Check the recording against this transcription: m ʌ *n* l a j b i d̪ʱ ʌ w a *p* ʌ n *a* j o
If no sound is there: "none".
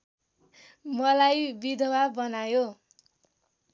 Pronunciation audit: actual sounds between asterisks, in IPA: none, b, a

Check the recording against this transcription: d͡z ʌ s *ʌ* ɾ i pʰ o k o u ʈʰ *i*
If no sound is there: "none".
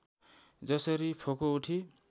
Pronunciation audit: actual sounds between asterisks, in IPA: ʌ, i

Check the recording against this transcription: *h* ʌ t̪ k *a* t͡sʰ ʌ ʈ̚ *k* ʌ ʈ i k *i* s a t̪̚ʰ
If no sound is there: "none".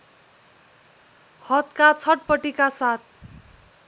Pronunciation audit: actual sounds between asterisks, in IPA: h, a, p, a

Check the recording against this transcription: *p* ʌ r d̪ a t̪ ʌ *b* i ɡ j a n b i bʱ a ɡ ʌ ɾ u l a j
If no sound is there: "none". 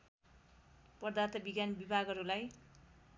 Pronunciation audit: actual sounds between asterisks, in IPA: p, b

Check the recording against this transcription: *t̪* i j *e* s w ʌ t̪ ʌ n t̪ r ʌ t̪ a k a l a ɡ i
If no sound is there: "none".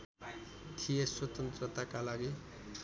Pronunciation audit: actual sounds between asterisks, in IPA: t̪ʰ, e

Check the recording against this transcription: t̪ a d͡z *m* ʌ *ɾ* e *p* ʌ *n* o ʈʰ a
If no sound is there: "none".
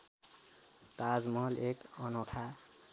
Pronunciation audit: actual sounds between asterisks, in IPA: m, l, k, n

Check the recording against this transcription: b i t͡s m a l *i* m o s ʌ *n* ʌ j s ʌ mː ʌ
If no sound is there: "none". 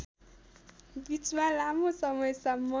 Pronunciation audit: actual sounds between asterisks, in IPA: a, m

